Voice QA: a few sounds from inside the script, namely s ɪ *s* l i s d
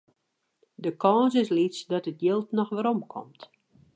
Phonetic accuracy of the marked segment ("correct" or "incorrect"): correct